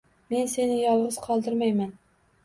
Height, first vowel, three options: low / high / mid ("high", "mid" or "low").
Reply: mid